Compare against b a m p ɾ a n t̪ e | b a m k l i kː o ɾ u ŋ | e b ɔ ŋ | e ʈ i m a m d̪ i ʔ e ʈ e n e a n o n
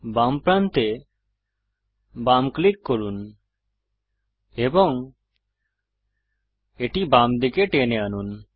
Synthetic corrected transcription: b a m p ɾ a n t̪ e | b a m k l i kː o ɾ u n | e b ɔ ŋ | e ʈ i b a m d̪ i k e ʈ e n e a n u n